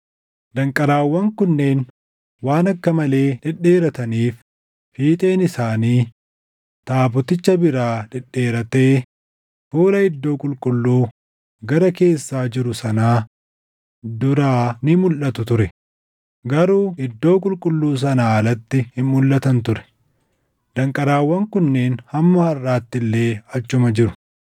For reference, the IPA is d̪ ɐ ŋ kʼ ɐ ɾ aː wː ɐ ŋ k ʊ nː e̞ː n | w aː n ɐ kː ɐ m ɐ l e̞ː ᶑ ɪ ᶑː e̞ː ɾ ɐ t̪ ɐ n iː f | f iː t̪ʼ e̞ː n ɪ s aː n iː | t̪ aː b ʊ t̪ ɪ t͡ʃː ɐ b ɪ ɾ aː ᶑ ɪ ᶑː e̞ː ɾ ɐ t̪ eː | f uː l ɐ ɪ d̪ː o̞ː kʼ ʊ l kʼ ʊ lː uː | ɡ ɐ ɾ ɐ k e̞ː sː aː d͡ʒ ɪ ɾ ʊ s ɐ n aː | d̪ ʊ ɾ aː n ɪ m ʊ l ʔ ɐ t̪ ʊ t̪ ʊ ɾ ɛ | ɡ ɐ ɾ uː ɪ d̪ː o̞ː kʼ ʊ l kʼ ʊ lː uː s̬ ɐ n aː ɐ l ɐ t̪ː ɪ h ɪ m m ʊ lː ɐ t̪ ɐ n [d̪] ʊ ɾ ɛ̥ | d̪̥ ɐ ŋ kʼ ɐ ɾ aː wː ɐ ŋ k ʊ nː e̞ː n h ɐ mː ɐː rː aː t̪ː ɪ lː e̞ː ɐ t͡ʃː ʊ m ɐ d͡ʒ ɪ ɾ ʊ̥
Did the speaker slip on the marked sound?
yes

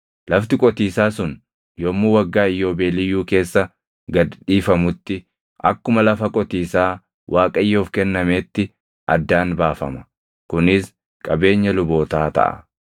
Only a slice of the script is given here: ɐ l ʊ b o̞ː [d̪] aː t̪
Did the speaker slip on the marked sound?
yes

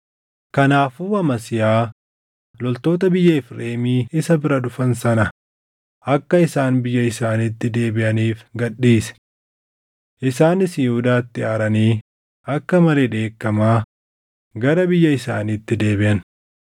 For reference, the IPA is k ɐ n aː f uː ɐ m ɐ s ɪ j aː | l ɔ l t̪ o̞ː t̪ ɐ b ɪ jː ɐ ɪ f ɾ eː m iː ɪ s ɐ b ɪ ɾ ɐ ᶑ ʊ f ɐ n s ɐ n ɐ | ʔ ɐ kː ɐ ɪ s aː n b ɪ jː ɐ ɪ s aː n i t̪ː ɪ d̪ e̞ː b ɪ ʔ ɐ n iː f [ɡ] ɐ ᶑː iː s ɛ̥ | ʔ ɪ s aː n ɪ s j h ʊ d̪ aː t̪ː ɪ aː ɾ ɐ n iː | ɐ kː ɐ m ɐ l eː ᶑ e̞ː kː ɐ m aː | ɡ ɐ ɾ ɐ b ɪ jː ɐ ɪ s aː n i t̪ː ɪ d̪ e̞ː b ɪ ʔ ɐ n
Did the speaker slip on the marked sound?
no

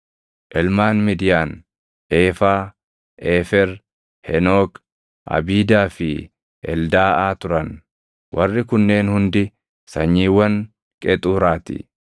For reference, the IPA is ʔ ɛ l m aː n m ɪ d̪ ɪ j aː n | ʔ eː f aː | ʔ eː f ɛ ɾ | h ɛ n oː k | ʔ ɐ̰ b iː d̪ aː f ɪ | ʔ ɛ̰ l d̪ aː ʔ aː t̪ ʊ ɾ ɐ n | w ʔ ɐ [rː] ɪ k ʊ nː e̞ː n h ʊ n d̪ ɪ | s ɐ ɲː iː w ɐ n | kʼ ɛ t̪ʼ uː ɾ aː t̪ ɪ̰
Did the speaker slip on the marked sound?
no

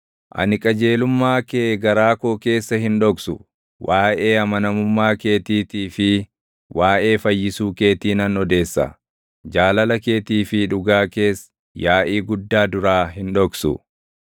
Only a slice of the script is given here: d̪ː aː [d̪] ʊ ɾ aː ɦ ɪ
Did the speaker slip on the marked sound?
no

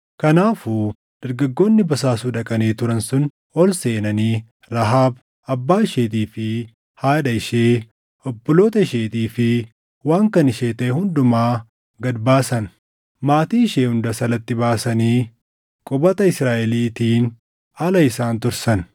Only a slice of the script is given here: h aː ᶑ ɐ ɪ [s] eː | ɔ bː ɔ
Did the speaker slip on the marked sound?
yes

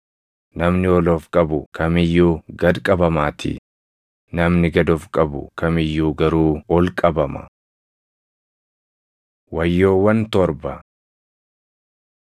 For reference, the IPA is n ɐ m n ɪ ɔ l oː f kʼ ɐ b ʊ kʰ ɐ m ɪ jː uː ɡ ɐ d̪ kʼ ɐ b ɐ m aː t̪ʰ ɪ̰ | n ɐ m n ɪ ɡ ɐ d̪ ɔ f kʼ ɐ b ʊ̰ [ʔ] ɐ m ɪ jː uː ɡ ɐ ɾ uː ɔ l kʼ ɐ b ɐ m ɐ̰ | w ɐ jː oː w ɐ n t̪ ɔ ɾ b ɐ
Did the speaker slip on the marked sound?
yes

